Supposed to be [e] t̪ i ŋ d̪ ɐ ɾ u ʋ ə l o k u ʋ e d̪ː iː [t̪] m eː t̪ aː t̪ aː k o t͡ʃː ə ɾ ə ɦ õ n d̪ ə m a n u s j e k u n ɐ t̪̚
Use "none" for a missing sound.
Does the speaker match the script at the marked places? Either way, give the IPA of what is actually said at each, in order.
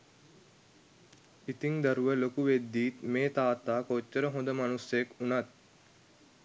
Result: i, t̪

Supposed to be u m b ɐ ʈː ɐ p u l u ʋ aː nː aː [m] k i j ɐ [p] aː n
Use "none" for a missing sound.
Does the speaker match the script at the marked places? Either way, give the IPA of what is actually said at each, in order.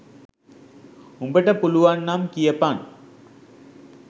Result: m, p

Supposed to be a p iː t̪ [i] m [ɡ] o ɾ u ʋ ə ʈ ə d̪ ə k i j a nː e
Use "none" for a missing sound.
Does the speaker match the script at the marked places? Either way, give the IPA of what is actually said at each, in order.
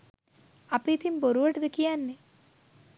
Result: i, b

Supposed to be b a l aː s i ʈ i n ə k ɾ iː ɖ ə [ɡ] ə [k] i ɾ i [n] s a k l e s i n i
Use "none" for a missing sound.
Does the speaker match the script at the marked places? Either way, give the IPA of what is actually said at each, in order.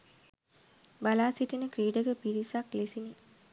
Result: ɡ, p, none

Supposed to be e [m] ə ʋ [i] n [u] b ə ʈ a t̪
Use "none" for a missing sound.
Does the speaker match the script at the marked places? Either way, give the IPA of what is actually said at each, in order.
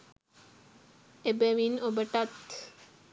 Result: b, i, o

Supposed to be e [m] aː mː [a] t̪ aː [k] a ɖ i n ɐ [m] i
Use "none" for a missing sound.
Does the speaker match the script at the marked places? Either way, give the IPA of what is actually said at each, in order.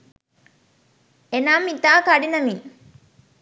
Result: n, i, k, m

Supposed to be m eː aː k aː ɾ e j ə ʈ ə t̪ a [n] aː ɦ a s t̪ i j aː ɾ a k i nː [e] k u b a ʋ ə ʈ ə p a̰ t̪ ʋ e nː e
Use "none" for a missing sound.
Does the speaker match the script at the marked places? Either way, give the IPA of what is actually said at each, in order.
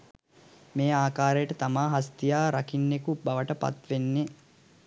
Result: m, e

